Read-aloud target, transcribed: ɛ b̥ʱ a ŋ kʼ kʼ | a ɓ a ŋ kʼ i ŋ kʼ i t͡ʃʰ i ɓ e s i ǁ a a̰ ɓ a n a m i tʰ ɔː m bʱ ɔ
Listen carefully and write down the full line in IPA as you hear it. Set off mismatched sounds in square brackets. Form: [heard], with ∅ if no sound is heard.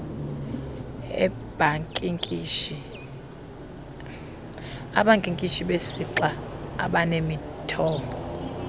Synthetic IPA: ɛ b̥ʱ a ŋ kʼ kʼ | a ɓ a ŋ kʼ i ŋ kʼ i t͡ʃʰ i ɓ e s i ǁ a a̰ ɓ a n [e] m i tʰ ɔː m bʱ ɔ